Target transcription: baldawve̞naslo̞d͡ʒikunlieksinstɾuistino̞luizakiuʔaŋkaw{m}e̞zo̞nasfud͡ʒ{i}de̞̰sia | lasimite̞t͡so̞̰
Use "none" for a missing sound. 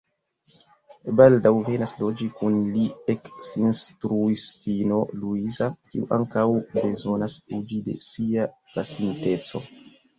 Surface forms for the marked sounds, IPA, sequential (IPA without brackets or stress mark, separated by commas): b, i